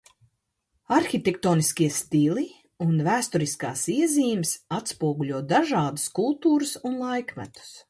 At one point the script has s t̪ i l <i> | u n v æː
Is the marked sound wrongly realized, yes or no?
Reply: no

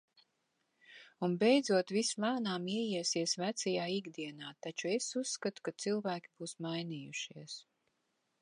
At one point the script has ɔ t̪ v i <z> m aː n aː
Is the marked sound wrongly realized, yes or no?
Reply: yes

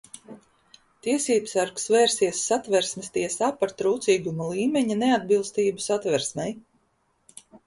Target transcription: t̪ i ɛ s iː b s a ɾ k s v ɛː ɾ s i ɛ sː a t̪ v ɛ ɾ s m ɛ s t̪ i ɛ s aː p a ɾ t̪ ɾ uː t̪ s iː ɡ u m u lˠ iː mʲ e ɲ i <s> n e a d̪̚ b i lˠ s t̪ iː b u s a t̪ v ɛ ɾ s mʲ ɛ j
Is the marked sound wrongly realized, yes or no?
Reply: yes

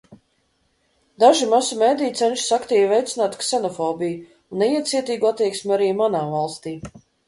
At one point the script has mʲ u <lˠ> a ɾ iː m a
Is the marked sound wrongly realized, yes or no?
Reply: yes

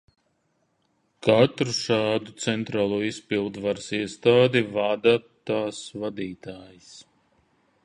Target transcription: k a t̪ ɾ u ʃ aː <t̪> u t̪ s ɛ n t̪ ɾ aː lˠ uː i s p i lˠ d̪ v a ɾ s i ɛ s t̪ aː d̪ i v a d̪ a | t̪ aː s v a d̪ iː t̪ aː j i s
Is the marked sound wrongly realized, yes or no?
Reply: yes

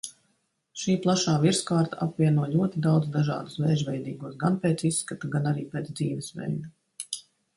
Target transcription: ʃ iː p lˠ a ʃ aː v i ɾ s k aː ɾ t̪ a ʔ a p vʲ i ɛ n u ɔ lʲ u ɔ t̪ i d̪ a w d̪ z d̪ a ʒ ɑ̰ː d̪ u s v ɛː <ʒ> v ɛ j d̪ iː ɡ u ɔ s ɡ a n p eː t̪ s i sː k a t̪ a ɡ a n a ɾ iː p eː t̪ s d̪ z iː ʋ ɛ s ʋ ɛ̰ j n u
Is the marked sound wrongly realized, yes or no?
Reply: no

